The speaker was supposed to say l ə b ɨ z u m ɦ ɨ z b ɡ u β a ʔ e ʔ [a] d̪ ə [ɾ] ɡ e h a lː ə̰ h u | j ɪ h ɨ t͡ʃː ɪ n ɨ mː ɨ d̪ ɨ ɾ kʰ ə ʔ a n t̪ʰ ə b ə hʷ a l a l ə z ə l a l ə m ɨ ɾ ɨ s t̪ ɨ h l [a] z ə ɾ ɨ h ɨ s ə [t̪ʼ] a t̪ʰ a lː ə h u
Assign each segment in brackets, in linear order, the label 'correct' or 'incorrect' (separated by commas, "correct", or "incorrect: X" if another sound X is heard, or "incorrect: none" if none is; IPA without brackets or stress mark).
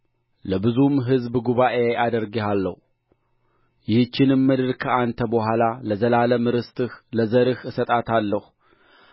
correct, correct, incorrect: ə, correct